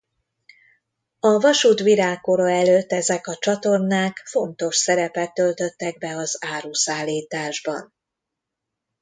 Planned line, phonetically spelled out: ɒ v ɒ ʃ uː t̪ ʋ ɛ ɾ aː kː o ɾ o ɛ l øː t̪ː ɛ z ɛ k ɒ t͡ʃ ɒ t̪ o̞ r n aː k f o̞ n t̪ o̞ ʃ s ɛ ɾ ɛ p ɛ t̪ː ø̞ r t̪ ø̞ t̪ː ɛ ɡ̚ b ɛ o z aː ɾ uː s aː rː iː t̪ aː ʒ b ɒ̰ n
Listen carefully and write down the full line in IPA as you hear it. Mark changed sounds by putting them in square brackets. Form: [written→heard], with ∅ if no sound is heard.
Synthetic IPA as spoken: ɒ v ɒ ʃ uː t̪ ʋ [ɛ→i] ɾ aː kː o ɾ o ɛ l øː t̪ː ɛ z ɛ k ɒ t͡ʃ ɒ t̪ o̞ r n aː k f o̞ n t̪ o̞ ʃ s ɛ ɾ ɛ p ɛ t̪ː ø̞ [r→l] t̪ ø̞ t̪ː ɛ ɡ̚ b ɛ [o→ɒ] z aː ɾ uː s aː [rː→lː] iː t̪ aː ʒ b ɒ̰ n